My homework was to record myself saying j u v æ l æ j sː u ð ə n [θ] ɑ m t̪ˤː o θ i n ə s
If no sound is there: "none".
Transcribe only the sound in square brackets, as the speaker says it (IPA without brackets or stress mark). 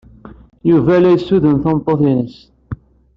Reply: θ